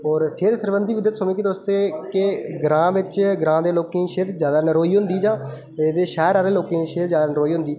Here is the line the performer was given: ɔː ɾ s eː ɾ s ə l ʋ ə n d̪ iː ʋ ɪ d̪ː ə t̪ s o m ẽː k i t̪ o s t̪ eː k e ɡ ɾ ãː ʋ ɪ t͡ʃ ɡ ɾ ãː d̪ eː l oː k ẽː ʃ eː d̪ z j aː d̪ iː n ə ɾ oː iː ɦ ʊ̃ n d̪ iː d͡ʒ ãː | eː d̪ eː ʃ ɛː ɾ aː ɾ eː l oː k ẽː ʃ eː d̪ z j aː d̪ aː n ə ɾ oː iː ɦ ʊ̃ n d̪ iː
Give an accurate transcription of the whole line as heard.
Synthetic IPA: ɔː ɾ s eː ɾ s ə ɾ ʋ ə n d̪ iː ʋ ɪ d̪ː ə t̪ s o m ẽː k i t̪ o s t̪ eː k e ɡ ɾ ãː ʋ ɪ t͡ʃ ɡ ɾ ãː d̪ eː l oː k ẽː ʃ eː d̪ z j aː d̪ aː n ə ɾ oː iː ɦ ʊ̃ n d̪ iː d͡ʒ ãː | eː d̪ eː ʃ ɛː ɾ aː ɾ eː l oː k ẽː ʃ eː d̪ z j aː d̪ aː n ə ɾ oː iː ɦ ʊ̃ n d̪ iː